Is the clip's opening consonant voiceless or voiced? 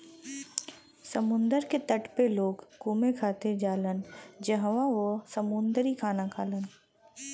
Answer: voiceless